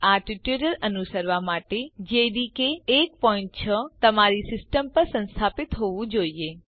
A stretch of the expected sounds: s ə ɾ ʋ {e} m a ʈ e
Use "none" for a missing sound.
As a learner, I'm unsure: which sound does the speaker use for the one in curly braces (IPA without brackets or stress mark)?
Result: a